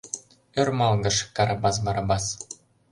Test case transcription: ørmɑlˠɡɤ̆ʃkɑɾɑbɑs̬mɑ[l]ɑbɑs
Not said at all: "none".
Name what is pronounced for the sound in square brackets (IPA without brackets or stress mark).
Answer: ɾ